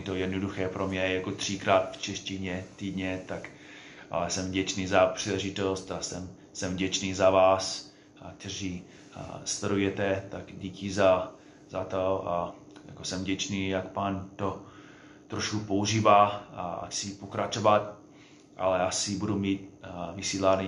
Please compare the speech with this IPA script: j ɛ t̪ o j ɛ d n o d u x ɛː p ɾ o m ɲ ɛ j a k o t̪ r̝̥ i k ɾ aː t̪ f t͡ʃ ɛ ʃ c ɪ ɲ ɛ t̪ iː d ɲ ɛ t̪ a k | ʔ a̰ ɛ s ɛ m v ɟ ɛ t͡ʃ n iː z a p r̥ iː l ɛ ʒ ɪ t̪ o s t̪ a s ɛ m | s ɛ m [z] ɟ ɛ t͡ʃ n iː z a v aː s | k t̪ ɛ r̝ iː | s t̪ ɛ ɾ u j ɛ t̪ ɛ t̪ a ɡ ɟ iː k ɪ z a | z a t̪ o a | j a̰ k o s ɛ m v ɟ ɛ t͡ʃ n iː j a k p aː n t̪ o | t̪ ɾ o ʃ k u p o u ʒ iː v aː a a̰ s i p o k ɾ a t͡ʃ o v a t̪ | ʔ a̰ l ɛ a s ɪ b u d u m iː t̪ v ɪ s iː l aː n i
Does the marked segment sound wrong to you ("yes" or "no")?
yes